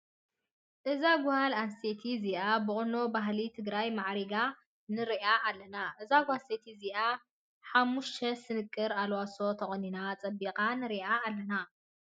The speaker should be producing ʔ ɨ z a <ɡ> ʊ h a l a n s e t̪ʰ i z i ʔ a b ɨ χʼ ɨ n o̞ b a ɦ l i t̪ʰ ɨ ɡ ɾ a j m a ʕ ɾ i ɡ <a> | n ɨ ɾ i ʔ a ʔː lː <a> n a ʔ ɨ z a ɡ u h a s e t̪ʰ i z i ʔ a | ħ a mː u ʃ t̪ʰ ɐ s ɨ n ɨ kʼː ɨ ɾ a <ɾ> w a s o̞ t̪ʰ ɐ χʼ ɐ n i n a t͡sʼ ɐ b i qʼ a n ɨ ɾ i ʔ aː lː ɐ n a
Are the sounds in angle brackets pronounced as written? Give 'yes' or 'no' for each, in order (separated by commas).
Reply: yes, yes, no, no